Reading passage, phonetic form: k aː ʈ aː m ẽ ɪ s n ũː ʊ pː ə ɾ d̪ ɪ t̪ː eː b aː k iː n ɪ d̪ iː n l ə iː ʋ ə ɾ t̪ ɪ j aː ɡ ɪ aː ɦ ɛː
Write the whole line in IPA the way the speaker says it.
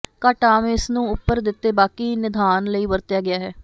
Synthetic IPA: k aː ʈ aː m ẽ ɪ s n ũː ʊ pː ə ɾ d̪ ɪ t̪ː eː b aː k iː n ɪ d̪ aː n l ə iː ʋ ə ɾ t̪ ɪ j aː ɡ ɪ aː ɦ ɛː